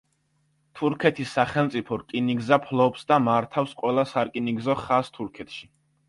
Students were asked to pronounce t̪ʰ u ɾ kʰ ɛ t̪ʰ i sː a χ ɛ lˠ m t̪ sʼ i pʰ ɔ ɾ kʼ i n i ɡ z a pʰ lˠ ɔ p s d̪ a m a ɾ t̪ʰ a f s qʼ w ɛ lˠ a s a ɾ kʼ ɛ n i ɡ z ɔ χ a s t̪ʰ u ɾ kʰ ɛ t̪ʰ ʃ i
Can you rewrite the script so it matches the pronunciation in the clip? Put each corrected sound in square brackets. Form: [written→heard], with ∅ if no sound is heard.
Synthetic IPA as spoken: t̪ʰ u ɾ kʰ ɛ t̪ʰ i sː a χ ɛ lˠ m t̪ sʼ i pʰ ɔ ɾ kʼ i n i ɡ z a pʰ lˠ ɔ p s d̪ a m a ɾ t̪ʰ a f s qʼ w ɛ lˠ a s a ɾ kʼ [ɛ→i] n i ɡ z ɔ χ a s t̪ʰ u ɾ kʰ ɛ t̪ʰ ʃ i